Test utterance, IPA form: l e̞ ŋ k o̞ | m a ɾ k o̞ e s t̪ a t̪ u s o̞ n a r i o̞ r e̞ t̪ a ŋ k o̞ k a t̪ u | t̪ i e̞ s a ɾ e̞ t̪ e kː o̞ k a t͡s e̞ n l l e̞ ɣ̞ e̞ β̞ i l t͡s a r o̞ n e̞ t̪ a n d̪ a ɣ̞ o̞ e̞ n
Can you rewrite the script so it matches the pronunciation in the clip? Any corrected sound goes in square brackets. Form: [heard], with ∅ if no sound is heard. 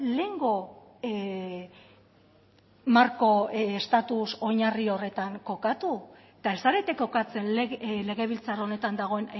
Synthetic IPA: l e̞ ŋ [ɡ] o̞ | m a ɾ k o̞ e s t̪ a t̪ u s o̞ [ɲ] a r i o̞ r e̞ t̪ a ŋ k o̞ k a t̪ u | t̪ [a] e̞ s a ɾ e̞ t̪ e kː o̞ k a t͡s e̞ n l l e̞ ɣ̞ e̞ β̞ i l t͡s a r o̞ n e̞ t̪ a n d̪ a ɣ̞ o̞ e̞ n